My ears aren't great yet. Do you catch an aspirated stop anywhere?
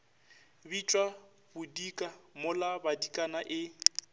no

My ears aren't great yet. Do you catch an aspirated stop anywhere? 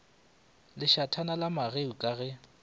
yes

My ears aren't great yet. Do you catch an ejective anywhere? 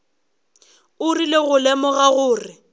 no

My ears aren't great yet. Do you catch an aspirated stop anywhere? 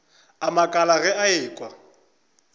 no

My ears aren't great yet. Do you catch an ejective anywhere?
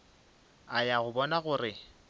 no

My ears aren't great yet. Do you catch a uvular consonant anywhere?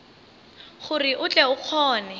yes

